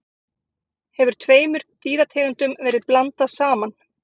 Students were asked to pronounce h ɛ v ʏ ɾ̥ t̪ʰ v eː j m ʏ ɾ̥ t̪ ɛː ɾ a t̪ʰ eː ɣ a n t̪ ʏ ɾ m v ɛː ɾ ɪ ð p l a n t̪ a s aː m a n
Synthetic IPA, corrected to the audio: h ɛ v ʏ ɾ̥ t̪ʰ v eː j m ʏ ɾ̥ t̪ iː ɾ a t̪ʰ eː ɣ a n t̪ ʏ m v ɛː ɾ ɪ ð p l a n t̪ a s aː m a n